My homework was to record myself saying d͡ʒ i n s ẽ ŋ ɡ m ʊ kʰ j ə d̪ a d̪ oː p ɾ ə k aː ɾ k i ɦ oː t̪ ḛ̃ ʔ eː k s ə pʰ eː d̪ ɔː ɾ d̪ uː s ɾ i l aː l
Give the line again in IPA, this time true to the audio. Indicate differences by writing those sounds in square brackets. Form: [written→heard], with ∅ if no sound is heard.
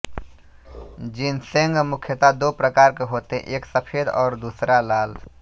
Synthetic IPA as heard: d͡ʒ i n s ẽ ŋ ɡ m ʊ kʰ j ə [d̪→t̪] a d̪ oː p ɾ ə k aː ɾ k [i→e] ɦ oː t̪ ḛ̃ ʔ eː k s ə pʰ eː d̪ ɔː ɾ d̪ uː s ɾ [i→a] l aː l